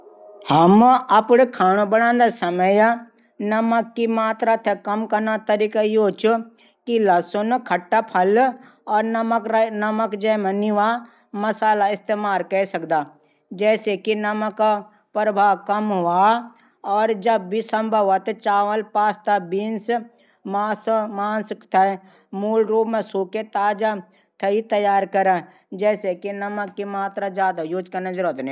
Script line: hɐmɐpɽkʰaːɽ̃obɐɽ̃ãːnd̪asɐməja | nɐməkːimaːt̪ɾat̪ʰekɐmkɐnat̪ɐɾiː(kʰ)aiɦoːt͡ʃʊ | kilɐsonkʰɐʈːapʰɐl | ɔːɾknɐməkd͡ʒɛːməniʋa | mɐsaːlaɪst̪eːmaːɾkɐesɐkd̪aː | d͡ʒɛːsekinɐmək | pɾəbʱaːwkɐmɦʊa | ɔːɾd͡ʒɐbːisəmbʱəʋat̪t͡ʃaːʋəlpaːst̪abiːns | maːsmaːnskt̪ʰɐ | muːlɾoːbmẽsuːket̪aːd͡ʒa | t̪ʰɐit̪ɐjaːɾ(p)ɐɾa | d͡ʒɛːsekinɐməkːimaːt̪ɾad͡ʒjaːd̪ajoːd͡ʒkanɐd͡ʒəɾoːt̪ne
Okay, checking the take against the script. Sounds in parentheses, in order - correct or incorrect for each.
incorrect, incorrect

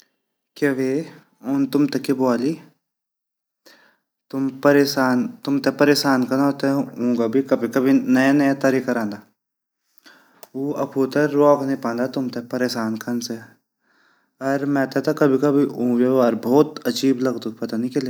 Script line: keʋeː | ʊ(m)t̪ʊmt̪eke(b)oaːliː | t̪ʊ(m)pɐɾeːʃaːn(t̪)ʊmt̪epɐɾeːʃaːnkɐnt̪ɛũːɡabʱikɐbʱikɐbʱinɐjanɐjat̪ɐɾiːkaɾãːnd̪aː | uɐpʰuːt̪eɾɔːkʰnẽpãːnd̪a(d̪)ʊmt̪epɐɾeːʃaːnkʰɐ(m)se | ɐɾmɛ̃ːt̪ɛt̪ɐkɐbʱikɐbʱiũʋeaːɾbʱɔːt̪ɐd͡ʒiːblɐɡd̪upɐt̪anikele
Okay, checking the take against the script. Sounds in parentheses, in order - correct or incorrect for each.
incorrect, correct, correct, correct, incorrect, incorrect

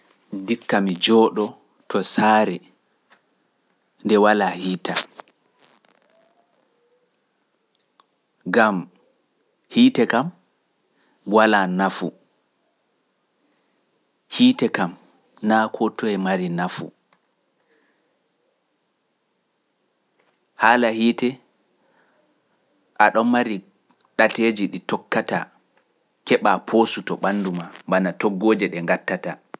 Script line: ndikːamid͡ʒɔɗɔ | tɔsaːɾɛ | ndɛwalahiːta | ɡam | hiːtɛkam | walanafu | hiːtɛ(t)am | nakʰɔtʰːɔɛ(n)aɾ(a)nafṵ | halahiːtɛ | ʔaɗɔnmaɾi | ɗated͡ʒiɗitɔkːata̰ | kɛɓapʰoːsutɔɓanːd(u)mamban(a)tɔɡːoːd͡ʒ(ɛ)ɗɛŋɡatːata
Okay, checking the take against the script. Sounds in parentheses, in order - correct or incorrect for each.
incorrect, incorrect, incorrect, correct, correct, correct

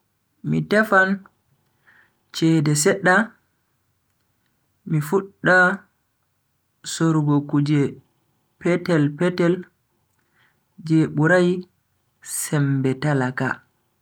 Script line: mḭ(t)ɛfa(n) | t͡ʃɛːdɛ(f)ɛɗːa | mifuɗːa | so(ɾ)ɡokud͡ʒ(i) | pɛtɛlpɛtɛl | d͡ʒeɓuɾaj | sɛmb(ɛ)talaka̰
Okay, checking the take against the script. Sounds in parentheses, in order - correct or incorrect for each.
correct, correct, incorrect, correct, incorrect, correct

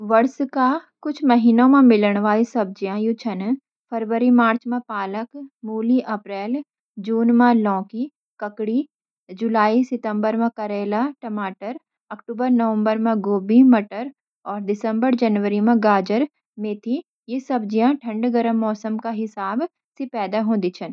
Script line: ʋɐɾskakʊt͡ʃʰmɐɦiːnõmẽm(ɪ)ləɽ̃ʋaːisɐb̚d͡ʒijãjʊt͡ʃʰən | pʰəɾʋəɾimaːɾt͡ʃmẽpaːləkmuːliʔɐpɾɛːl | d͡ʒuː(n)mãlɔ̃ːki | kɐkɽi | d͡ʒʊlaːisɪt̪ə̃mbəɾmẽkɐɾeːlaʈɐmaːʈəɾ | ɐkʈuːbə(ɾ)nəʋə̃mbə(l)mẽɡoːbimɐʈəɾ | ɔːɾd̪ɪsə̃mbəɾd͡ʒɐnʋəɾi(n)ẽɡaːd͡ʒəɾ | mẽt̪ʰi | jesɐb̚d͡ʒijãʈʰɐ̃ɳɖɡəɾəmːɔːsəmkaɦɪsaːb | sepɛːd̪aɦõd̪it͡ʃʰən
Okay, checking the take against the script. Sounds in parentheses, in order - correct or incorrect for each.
correct, correct, correct, incorrect, incorrect

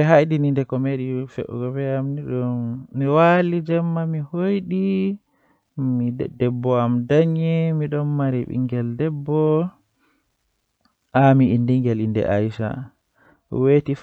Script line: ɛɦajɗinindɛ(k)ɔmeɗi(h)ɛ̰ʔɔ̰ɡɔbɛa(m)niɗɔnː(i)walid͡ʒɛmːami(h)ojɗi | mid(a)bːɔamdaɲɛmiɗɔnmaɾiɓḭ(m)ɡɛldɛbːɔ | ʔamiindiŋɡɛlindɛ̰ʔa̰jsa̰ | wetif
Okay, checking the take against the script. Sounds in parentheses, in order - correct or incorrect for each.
correct, incorrect, correct, correct, correct, incorrect, incorrect

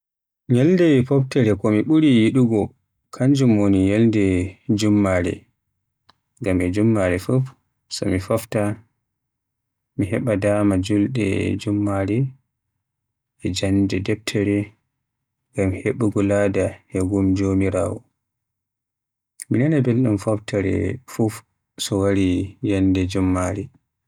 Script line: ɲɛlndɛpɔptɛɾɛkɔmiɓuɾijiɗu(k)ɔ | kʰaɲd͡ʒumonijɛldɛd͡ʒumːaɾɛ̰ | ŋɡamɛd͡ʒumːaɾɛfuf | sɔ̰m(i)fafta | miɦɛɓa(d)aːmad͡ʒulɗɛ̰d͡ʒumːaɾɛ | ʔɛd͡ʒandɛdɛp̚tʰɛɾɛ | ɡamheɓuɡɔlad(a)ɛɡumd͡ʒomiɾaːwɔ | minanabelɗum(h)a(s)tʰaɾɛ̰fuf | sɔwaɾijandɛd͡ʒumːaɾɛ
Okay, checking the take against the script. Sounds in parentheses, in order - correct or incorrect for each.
incorrect, correct, correct, correct, incorrect, incorrect

